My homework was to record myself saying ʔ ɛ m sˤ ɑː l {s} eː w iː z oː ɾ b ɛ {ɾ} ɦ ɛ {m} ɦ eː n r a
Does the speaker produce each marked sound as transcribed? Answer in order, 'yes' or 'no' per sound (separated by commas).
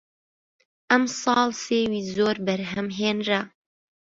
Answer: yes, yes, yes